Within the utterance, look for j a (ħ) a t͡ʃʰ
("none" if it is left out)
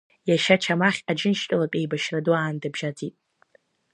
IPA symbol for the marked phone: ʃ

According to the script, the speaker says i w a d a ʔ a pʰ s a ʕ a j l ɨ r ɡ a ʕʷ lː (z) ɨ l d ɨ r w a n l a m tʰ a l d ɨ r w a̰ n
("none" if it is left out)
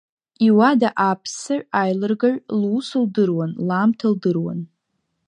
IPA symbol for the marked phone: s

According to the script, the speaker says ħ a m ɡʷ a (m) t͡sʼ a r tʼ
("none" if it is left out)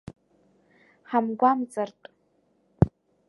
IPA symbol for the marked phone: m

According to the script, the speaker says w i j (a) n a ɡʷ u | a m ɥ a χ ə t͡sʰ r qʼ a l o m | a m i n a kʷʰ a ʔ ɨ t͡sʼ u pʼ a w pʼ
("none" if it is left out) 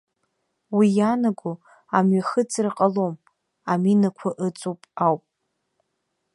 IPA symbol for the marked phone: a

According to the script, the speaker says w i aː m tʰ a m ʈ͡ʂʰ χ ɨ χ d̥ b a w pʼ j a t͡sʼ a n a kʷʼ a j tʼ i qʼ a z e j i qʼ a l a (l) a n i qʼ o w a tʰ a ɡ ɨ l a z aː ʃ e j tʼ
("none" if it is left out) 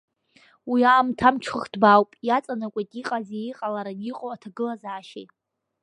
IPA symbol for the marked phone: ɾ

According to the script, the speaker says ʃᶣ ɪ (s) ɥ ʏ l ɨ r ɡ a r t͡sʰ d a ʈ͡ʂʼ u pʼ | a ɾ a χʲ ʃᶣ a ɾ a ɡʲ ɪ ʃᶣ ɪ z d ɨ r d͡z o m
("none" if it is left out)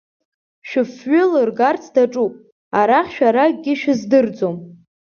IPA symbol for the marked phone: f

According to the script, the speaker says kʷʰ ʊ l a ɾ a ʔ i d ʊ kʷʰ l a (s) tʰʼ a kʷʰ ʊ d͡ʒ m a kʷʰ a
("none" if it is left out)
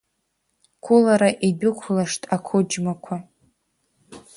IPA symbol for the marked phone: ʂ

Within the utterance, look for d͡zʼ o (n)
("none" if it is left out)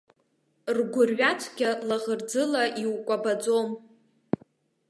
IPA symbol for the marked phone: m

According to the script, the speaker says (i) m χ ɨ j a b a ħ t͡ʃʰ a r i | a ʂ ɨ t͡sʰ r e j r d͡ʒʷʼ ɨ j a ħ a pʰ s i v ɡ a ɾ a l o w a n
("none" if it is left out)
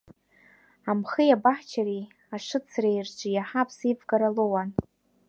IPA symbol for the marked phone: a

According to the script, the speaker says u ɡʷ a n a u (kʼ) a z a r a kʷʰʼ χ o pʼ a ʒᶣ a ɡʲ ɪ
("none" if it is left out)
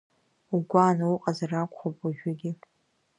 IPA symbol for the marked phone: qʼ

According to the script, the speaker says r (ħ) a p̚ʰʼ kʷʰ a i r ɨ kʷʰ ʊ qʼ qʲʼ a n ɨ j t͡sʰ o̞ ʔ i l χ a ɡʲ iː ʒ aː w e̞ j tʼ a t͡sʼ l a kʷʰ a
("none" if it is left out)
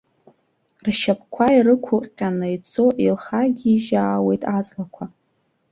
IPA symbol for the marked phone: ʃ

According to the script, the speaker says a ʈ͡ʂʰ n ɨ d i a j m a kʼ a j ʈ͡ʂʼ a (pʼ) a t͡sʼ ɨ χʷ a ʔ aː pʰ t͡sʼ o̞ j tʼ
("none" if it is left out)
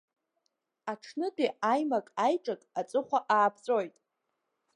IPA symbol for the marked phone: kʼ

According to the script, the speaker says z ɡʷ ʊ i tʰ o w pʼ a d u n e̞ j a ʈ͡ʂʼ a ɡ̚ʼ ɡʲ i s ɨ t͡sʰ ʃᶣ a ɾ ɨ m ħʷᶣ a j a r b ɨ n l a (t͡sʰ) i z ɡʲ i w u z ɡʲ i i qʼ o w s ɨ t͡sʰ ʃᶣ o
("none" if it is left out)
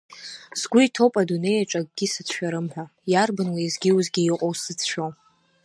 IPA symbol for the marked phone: none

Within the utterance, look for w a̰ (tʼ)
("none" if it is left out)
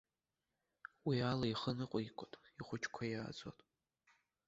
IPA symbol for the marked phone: tʼ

